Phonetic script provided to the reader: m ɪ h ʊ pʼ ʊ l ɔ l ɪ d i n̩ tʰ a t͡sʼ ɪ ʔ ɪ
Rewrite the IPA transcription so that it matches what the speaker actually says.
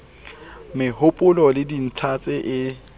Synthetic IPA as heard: m ɪ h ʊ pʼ ʊ l ɔ l ɪ d i n̩ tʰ a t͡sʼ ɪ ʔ ɪ